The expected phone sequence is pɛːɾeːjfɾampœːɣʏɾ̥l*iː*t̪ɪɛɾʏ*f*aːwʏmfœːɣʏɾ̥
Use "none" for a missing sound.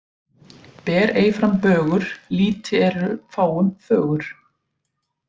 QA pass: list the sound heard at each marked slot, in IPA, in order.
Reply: iː, f

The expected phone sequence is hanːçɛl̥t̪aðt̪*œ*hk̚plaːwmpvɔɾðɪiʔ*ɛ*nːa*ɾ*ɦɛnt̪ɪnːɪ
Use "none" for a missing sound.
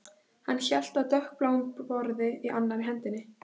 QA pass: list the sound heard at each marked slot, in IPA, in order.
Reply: œ, a, ɾ

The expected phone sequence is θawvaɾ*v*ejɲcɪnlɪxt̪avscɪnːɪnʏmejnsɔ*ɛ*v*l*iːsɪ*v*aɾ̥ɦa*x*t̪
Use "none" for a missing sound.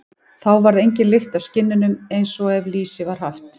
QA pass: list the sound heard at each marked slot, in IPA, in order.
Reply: ð, ɛ, l, v, f

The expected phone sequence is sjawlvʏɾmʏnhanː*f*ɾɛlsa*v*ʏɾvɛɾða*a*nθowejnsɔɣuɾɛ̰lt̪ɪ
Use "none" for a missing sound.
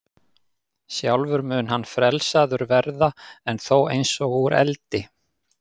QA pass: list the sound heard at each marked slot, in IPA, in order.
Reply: f, ð, ɛ

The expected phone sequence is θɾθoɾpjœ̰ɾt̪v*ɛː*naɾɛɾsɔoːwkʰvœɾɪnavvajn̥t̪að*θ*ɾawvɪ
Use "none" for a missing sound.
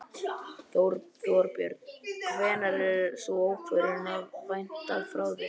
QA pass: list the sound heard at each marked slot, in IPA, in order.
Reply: ɛː, f

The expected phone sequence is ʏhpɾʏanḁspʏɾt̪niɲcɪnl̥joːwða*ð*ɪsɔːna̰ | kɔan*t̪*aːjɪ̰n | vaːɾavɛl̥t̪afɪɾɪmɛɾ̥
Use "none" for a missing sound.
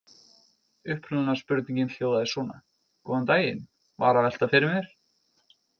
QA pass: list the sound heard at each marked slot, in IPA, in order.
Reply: ð, t̪

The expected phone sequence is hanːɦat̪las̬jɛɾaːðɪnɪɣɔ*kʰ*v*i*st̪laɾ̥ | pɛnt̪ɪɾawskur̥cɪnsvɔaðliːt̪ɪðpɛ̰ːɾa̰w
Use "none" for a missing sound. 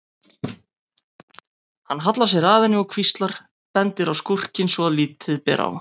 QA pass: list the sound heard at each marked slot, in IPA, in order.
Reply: kʰ, i

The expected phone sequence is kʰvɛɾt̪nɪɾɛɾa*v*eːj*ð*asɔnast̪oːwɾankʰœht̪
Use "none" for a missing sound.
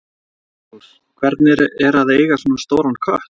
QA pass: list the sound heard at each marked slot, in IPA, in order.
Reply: ð, ɣ

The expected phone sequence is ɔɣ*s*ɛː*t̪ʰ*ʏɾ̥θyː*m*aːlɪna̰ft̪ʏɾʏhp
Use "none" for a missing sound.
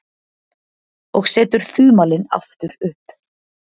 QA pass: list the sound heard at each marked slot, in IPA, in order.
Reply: s, t̪, m

